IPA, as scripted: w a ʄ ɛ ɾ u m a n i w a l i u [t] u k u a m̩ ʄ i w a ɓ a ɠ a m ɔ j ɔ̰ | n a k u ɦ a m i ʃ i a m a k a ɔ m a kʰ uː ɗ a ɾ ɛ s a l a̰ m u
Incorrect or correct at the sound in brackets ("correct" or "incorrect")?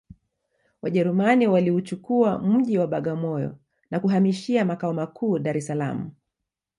incorrect